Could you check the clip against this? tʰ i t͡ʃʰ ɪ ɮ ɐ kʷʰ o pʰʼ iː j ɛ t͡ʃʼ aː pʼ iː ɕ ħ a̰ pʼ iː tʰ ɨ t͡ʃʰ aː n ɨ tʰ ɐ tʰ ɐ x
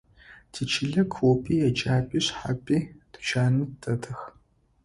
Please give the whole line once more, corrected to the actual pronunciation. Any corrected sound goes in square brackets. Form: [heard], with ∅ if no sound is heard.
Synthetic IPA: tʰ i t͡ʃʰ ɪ ɮ ɐ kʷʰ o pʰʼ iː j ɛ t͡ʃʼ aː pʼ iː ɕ ħ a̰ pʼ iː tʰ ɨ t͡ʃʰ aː n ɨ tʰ ɐ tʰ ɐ x